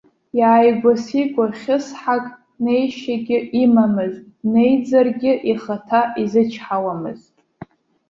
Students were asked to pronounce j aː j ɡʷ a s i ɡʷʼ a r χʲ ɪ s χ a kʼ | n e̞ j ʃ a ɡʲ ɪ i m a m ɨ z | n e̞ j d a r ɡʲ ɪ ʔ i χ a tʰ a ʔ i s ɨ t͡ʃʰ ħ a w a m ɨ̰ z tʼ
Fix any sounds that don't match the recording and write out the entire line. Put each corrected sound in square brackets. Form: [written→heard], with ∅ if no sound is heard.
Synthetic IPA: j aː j ɡʷ a s i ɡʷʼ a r χʲ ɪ s [χ→ħ] a kʼ | n e̞ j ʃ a ɡʲ ɪ i m a m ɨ z | n e̞ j [d→d͡z] a r ɡʲ ɪ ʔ i χ a tʰ a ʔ i [s→z] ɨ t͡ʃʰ ħ a w a m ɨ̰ z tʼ